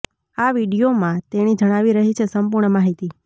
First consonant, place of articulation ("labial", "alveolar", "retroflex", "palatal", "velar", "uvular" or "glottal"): labial